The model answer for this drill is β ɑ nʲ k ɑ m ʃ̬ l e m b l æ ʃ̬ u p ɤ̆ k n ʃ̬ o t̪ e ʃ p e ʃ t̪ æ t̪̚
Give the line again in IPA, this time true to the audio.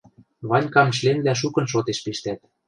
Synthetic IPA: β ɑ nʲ k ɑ m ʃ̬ l e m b l æ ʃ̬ u k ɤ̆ n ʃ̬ o t̪ e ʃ p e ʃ t̪ æ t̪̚